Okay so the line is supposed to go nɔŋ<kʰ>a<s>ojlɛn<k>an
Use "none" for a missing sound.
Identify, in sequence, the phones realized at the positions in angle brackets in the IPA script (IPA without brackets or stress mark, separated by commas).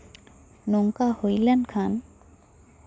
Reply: k, h, kʰ